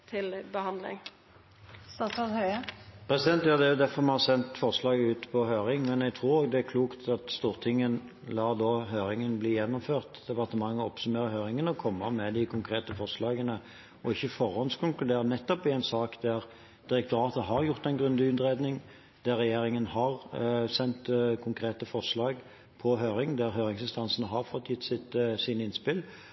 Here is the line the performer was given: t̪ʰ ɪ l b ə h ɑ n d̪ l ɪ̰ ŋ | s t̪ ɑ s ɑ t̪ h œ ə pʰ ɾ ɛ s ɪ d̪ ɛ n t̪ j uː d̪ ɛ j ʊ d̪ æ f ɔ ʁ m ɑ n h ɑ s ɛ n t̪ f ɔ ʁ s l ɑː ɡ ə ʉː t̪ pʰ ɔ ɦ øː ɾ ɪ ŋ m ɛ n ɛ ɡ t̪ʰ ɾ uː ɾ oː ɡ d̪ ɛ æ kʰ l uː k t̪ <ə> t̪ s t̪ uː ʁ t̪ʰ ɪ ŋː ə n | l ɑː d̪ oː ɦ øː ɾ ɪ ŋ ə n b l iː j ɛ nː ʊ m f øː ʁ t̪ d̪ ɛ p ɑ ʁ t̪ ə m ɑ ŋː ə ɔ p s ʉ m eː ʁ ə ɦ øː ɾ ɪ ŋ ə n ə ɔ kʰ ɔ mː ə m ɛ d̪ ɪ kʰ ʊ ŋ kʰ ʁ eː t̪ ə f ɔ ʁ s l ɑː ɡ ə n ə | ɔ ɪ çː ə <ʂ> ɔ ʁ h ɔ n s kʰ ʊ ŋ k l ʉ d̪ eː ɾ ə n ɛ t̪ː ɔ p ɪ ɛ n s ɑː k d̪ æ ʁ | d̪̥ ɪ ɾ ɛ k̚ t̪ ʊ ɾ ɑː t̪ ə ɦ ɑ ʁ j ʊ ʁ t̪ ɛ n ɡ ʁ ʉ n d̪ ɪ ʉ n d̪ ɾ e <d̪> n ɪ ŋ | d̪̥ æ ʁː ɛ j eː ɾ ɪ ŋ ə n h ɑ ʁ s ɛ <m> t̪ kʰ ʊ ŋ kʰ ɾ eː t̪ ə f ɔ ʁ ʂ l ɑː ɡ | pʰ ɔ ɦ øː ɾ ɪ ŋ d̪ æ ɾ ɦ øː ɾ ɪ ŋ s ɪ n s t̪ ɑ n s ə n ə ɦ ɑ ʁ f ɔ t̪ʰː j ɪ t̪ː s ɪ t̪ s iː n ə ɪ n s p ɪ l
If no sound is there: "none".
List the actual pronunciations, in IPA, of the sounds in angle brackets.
ɑ, f, d̪, n

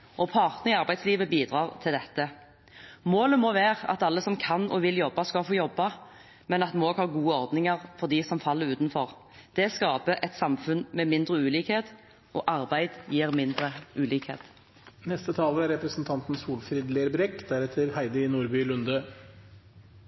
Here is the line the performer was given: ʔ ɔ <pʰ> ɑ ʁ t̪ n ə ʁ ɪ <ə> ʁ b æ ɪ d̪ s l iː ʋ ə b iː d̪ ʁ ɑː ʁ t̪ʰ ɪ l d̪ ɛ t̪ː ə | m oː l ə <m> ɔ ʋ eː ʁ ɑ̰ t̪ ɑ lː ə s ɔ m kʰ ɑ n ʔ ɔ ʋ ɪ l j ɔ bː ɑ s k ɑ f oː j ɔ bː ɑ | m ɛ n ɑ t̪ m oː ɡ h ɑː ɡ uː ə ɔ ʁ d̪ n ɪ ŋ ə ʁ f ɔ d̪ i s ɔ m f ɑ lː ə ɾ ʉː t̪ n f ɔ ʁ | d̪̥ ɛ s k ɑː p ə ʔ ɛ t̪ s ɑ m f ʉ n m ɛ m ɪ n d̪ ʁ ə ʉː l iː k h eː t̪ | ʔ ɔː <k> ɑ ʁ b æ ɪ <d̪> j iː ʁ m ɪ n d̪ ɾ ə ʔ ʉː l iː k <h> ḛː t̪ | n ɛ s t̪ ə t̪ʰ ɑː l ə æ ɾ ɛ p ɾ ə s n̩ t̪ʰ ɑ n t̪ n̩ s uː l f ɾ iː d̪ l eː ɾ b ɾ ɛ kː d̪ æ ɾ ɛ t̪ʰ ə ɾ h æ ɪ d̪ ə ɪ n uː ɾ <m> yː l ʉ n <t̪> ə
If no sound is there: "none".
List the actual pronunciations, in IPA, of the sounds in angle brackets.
pʰ, ɑ, m, ʔ, d̪, h, b, d̪

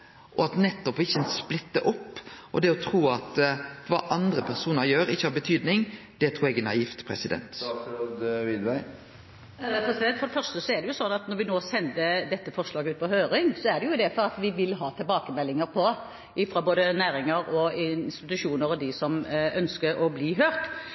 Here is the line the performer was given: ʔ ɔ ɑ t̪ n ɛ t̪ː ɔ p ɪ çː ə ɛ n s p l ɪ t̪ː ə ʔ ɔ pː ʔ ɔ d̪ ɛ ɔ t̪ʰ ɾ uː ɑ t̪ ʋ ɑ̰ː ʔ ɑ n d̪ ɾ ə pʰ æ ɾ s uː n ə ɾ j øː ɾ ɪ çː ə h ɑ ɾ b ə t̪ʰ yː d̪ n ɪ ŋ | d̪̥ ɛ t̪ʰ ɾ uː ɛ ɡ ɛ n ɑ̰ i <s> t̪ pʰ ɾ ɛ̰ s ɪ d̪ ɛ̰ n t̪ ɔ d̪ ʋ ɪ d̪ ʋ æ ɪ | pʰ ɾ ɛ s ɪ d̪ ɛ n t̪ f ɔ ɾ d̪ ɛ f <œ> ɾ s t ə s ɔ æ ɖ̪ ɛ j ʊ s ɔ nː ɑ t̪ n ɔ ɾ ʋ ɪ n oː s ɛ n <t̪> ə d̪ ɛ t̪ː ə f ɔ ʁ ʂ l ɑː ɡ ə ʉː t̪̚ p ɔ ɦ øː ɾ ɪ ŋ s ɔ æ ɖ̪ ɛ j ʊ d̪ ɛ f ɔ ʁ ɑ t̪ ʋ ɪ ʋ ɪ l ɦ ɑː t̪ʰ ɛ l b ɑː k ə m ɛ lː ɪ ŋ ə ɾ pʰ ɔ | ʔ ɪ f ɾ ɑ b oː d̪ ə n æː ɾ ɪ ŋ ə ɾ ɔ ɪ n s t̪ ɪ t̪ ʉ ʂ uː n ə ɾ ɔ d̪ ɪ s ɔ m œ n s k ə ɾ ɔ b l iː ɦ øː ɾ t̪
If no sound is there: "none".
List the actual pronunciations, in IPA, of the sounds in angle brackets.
f, œ, d̪

